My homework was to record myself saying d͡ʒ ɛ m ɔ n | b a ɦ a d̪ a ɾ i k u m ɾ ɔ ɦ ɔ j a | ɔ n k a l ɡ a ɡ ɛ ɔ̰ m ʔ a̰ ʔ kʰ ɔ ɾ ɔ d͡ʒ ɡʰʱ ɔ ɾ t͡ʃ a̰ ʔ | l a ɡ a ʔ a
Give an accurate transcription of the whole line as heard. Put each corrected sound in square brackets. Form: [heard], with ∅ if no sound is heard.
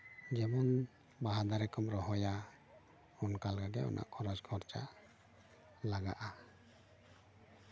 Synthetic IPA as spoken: d͡ʒ ɛ m ɔ n | b a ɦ a d̪ a ɾ [ɛ] k [ɔ] m ɾ ɔ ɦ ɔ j a | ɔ n k a l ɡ a ɡ ɛ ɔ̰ [n] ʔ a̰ ʔ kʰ ɔ ɾ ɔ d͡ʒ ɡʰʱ ɔ ɾ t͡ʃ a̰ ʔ | l a ɡ a ʔ a

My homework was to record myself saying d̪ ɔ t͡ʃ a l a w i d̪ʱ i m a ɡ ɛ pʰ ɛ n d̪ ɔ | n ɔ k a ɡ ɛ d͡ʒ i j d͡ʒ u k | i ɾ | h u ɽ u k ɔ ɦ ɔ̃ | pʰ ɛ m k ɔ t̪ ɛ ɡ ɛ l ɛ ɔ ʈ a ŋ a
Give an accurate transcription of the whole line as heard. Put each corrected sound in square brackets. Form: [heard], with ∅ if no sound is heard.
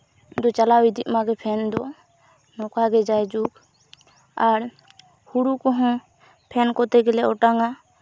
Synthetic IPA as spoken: d̪ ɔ t͡ʃ a l a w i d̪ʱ i m a ɡ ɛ pʰ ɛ n d̪ ɔ | n ɔ k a ɡ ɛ d͡ʒ [a] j d͡ʒ u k | [a] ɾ | h u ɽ u k ɔ ɦ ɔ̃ | pʰ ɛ [n] k ɔ t̪ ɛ ɡ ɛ l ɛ ɔ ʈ a ŋ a

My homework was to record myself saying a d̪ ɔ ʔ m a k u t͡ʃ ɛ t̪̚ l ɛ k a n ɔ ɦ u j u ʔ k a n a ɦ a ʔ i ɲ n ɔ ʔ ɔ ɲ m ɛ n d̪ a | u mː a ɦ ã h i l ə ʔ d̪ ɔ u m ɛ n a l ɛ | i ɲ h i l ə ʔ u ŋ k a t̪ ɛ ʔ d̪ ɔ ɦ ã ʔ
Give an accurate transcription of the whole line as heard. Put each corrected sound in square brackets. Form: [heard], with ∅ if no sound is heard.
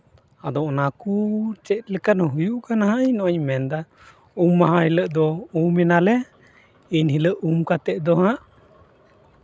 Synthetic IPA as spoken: a d̪ ɔ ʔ [n] a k u t͡ʃ ɛ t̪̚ l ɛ k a n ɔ ɦ u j u ʔ k a n a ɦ a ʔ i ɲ n ɔ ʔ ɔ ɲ m ɛ n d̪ a | u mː a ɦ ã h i l ə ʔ d̪ ɔ u m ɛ n a l ɛ | i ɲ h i l ə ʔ u [m] k a t̪ ɛ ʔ d̪ ɔ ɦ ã ʔ

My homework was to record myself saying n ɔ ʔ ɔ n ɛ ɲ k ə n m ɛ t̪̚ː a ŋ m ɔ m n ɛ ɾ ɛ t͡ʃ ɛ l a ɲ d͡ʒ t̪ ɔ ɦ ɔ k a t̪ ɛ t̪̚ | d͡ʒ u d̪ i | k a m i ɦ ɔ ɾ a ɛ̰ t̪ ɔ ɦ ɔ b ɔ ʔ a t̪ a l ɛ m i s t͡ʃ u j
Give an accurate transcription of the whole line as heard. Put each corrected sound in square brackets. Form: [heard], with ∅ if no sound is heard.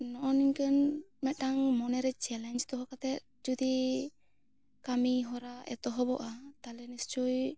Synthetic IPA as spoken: n ɔ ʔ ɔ n [i] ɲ k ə n m ɛ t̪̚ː a ŋ m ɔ [∅] n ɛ ɾ ɛ t͡ʃ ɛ l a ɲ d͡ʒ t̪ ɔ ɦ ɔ k a t̪ ɛ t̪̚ | d͡ʒ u d̪ i | k a m i ɦ ɔ ɾ a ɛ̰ t̪ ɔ ɦ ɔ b ɔ ʔ a t̪ a l ɛ [n] i s t͡ʃ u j

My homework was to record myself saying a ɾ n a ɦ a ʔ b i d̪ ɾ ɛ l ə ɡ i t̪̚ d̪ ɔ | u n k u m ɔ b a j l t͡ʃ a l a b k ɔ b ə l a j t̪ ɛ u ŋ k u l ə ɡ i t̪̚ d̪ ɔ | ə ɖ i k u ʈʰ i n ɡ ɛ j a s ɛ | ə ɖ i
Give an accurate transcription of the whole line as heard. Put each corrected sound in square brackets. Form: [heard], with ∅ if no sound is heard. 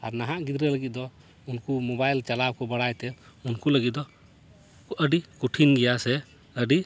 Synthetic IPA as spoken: a ɾ n a ɦ a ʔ [ɡ] i d̪ ɾ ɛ l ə ɡ i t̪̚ d̪ ɔ | u n k u m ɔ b a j l t͡ʃ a l a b k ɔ b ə [ɽ] a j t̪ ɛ u [n] k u l ə ɡ i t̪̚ d̪ ɔ | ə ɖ i k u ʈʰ i n ɡ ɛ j a s ɛ | ə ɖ i

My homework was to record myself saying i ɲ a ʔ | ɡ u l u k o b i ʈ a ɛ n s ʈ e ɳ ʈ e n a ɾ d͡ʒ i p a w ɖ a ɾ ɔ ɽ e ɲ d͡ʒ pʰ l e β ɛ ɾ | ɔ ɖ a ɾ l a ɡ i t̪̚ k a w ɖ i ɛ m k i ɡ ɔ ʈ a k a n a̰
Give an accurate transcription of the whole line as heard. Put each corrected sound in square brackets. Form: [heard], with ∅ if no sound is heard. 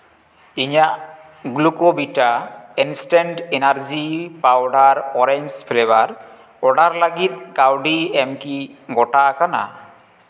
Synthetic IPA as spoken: i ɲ a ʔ | ɡ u l u k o b i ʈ a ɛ n s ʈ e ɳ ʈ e n a ɾ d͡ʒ i p a w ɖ a ɾ ɔ [ɾ] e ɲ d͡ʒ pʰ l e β [a] ɾ | ɔ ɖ a ɾ l a ɡ i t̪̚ k a w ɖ i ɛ m k i ɡ ɔ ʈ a k a n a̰

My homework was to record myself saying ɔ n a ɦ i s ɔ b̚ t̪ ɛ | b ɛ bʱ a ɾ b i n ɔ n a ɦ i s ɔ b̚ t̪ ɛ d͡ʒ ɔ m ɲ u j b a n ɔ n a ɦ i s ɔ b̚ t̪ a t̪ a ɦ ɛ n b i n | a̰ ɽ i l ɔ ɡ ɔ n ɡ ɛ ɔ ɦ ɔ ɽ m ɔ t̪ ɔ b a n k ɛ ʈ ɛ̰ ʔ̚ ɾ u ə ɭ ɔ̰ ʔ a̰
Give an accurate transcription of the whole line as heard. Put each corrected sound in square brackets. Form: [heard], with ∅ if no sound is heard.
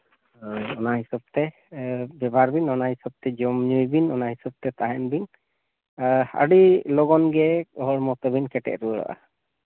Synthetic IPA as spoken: ɔ n a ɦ i s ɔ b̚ t̪ ɛ | b ɛ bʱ a ɾ b i n ɔ n a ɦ i s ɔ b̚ t̪ ɛ d͡ʒ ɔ m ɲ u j b [i] n ɔ n a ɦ i s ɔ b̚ t̪ [ɛ] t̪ a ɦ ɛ n b i n | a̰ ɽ i l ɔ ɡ ɔ n ɡ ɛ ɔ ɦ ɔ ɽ m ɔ t̪ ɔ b [i] n k ɛ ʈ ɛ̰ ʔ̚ ɾ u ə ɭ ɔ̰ ʔ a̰

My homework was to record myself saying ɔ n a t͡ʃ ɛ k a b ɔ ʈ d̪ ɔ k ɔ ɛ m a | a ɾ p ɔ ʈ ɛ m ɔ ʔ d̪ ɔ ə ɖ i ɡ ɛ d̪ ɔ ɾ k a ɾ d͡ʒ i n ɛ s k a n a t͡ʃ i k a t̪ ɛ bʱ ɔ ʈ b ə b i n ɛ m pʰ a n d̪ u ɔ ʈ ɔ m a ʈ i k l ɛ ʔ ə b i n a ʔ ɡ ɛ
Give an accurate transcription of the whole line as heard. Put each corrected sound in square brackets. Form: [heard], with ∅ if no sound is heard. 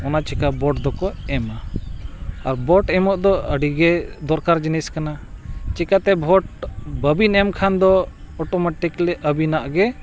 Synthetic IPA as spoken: ɔ n a t͡ʃ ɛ k a b ɔ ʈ d̪ ɔ k ɔ ɛ m a | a ɾ [b] ɔ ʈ ɛ m ɔ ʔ d̪ ɔ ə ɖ i ɡ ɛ d̪ ɔ ɾ k a ɾ d͡ʒ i n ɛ s k a n a t͡ʃ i k a t̪ ɛ bʱ ɔ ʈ b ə b i n ɛ m [kʰ] a n d̪ [ɔ] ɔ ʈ ɔ m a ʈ i k l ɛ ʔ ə b i n a ʔ ɡ ɛ

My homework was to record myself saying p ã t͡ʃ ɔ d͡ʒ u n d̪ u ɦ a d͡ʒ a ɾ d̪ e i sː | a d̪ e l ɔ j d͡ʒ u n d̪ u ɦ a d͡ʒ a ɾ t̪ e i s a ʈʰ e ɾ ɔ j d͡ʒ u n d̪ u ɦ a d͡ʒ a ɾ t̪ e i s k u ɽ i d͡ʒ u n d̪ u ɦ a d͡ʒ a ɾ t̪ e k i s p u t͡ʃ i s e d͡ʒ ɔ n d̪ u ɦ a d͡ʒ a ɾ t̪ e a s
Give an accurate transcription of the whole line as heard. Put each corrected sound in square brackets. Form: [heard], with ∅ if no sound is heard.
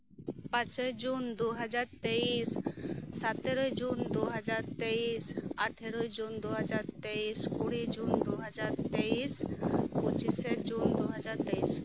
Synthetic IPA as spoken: p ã t͡ʃ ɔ d͡ʒ u n d̪ u ɦ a d͡ʒ a ɾ [t̪] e i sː | a [t̪] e [ɾ] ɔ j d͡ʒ u n d̪ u ɦ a d͡ʒ a ɾ t̪ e i s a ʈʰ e ɾ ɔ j d͡ʒ u n d̪ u ɦ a d͡ʒ a ɾ t̪ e i s k u ɽ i d͡ʒ u n d̪ u ɦ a d͡ʒ a ɾ t̪ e [∅] i s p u t͡ʃ i s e d͡ʒ [u] n d̪ u ɦ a d͡ʒ a ɾ t̪ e [i] s

